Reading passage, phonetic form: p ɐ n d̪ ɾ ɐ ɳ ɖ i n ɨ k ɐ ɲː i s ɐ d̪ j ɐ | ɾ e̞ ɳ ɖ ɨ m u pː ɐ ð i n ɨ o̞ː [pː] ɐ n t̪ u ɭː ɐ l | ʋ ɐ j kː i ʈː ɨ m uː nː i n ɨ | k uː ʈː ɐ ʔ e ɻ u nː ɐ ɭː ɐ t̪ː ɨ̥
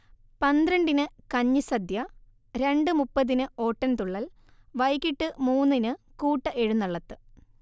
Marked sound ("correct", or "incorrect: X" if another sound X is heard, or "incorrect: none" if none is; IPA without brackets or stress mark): incorrect: ʈː